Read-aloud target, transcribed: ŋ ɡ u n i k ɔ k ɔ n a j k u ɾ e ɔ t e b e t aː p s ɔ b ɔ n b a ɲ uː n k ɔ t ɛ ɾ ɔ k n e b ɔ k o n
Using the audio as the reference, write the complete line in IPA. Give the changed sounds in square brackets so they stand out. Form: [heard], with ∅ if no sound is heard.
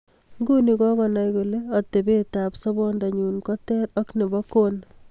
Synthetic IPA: ŋ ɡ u n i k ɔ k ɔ n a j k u [l] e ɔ t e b e t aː p s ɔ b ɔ n [d] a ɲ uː n k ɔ t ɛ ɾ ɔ k n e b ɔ k o n